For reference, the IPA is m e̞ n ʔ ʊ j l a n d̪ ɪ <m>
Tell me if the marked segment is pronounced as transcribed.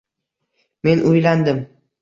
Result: yes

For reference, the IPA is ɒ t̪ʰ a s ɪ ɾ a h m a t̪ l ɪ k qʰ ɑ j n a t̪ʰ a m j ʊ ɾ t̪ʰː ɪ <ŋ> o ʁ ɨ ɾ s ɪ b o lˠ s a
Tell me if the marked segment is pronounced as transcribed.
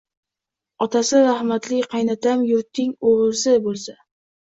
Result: yes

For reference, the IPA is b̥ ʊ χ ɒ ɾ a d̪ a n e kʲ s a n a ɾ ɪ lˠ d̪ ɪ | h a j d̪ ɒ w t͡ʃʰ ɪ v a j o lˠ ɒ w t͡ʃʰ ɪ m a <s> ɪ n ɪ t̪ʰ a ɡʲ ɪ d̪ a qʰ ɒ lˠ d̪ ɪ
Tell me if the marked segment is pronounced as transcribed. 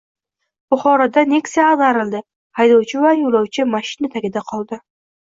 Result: no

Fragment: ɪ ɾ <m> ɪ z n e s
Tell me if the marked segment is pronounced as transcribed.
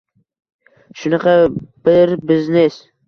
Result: no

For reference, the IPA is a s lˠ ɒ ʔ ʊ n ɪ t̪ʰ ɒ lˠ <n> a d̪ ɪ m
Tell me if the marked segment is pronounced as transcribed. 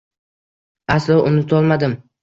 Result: no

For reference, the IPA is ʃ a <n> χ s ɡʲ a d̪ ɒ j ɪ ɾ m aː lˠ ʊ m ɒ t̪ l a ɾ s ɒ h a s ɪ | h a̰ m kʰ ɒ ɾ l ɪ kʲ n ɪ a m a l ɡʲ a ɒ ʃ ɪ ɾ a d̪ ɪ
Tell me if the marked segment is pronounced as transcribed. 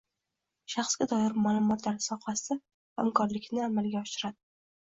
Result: no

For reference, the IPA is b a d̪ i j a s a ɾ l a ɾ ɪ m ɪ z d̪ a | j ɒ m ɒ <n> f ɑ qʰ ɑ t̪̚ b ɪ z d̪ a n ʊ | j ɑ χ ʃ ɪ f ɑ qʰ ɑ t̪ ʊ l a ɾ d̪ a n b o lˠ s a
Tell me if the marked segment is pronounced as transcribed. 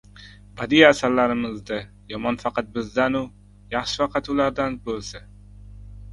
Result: yes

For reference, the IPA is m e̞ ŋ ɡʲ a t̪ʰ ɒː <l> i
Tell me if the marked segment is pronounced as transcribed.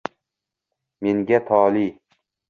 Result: yes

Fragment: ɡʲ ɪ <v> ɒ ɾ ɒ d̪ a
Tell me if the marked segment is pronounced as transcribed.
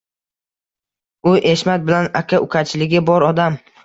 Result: no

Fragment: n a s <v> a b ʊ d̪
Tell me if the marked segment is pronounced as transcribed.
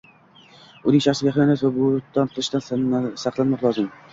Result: yes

